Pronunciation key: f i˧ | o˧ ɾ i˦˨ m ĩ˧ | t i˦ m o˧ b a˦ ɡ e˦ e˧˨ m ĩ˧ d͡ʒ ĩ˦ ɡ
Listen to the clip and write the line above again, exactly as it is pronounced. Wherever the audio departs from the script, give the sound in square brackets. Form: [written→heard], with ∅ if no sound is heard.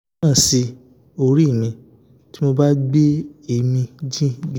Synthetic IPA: [f→s] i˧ | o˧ ɾ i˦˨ m ĩ˧ | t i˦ m o˧ b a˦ [ɡ→ɡ͡b] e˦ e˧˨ m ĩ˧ d͡ʒ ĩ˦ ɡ

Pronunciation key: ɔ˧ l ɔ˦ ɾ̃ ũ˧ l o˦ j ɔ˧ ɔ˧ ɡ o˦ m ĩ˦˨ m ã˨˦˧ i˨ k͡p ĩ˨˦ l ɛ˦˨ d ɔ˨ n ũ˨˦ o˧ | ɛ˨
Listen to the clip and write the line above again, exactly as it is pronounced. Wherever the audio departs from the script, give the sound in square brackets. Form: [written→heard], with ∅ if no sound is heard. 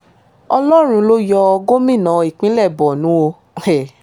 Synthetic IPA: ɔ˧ l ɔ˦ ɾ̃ ũ˧ l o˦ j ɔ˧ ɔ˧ ɡ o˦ m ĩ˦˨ [m→n] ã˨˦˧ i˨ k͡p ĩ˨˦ l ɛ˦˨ [d→b] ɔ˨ n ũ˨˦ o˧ | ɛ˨

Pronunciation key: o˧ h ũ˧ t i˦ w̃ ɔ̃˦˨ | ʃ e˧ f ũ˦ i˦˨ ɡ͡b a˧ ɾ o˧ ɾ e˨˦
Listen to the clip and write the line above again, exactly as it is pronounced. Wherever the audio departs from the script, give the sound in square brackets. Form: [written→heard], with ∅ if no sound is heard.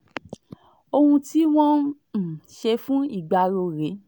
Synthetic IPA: o˧ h ũ˧ t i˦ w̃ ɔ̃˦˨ | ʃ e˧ f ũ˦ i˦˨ ɡ͡b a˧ ɾ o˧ ɾ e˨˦

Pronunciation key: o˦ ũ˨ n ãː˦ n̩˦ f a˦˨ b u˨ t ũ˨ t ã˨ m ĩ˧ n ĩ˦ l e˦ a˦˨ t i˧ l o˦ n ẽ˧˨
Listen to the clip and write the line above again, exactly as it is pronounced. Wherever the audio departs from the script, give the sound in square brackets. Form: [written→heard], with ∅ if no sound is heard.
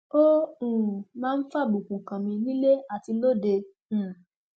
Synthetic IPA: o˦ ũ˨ [n→m] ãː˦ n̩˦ f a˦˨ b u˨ [t→k] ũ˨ [t→k] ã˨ m ĩ˧ n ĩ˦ l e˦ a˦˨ t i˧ l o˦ [n→d] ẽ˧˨

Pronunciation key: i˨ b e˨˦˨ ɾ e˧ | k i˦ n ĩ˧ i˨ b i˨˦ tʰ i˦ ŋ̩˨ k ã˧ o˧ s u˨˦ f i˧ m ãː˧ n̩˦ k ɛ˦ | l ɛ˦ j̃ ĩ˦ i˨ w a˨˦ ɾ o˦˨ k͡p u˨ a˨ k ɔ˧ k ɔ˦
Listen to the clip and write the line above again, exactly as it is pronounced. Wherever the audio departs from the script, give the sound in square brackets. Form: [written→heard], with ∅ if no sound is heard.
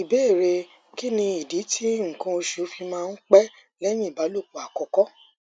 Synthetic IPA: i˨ b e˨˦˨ ɾ e˧ | k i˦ n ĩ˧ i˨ [b→d] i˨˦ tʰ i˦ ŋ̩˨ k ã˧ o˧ [s→ʃ] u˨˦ f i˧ m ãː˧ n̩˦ [k→k͡p] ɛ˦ | l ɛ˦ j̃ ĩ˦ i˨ [w→b] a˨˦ [ɾ→l] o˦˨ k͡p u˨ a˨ k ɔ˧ k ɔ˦

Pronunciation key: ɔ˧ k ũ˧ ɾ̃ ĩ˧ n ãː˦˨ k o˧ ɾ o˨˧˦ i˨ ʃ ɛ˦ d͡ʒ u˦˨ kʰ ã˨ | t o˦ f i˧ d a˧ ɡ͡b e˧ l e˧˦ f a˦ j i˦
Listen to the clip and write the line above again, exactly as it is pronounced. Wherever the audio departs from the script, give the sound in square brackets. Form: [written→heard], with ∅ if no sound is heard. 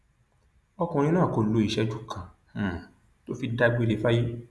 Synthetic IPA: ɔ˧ k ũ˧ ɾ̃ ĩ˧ n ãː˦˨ k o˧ [ɾ→l] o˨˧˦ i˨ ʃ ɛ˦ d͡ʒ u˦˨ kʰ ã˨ | t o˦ f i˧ d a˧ ɡ͡b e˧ l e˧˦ f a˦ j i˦

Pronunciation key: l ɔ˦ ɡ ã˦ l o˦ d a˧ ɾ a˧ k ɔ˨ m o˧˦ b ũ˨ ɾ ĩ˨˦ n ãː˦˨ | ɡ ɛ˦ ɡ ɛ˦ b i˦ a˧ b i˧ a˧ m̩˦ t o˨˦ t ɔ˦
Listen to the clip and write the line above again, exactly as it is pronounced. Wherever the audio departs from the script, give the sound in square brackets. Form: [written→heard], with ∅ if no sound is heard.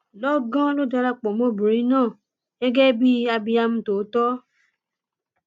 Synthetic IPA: l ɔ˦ ɡ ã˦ l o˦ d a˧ ɾ a˧ [k→k͡p] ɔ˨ m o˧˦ b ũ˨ ɾ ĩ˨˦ n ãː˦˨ | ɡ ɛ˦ ɡ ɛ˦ b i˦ a˧ b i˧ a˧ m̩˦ t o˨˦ t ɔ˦

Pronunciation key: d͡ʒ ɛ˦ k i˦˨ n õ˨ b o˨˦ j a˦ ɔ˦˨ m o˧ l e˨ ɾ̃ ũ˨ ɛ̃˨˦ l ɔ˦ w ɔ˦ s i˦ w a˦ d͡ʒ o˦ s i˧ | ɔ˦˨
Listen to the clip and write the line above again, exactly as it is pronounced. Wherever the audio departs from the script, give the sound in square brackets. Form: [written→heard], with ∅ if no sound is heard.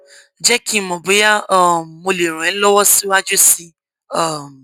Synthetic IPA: d͡ʒ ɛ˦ k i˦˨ [n→m] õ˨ b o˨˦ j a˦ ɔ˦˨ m o˧ l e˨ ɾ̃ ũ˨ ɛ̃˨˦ l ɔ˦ w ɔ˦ s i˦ w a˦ d͡ʒ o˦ s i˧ | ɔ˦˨

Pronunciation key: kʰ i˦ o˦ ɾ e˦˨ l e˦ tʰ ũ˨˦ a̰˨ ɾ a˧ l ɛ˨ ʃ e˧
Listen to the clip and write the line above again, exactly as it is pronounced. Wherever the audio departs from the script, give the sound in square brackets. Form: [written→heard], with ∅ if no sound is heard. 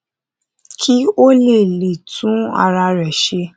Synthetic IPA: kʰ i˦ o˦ [ɾ→l] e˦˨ l [e˦→e˨] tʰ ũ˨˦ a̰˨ ɾ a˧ [l→ɾ] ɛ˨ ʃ e˧

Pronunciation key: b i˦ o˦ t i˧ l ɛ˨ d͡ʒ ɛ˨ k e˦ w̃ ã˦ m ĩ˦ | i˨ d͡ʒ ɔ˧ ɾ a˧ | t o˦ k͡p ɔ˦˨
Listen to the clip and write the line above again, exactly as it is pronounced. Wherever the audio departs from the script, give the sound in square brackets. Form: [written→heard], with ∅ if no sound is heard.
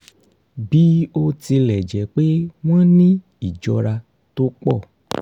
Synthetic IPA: b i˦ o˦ t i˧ l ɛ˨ d͡ʒ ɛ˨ [k→k͡p] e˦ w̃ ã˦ [m→n] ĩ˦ | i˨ d͡ʒ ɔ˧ ɾ a˧ | t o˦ k͡p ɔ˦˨

